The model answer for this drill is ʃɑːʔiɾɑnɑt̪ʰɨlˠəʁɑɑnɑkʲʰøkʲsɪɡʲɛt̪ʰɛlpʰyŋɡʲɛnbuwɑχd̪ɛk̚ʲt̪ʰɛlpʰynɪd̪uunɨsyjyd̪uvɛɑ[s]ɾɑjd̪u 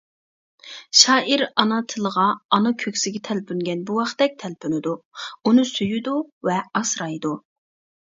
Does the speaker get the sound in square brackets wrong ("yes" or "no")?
no